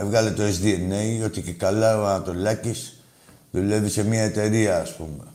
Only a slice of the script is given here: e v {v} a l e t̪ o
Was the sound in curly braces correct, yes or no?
no